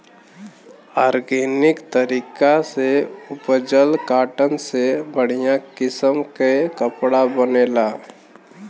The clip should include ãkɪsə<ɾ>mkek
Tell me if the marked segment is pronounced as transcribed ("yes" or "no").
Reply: no